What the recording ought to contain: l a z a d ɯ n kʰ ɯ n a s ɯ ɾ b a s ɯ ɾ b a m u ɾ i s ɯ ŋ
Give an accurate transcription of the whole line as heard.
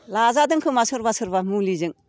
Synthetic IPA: l a z a d ɯ ŋ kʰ ɯ m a s ɯ ɾ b a s ɯ ɾ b a m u l i z ɯ ŋ